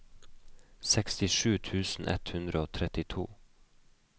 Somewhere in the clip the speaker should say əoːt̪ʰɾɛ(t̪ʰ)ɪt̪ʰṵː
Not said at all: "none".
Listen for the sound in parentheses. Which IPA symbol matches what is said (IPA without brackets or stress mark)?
t̪